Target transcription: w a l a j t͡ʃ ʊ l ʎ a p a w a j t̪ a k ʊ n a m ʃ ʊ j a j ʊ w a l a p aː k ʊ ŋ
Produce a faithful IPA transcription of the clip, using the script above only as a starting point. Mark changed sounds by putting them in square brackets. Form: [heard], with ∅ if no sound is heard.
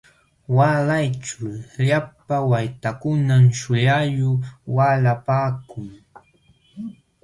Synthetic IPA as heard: w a l a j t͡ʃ ʊ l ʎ a p a w a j t̪ a k ʊ n a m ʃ ʊ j a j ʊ w a l a p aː k ʊ ŋ